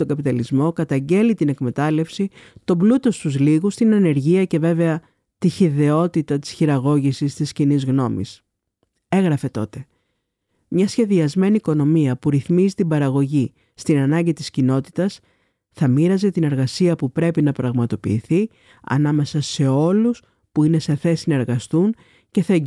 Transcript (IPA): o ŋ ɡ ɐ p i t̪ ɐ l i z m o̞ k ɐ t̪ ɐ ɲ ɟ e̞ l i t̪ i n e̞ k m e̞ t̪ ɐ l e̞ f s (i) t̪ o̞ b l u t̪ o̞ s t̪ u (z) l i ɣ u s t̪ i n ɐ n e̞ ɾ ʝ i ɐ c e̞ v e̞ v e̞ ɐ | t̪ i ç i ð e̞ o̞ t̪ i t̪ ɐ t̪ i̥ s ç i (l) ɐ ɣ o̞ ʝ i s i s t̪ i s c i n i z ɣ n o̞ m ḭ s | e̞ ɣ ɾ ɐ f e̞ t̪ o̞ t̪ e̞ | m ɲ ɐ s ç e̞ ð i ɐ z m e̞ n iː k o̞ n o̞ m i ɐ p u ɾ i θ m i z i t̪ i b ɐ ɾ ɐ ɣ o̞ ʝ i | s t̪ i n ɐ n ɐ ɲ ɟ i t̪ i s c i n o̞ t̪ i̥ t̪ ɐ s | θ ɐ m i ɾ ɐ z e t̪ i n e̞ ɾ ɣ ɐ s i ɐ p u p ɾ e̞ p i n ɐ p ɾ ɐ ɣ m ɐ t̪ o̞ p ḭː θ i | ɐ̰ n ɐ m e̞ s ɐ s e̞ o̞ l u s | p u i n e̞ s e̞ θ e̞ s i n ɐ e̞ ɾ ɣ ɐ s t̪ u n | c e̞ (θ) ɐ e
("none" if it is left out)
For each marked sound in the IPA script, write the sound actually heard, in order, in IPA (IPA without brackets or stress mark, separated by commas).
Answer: i, z, ɾ, θ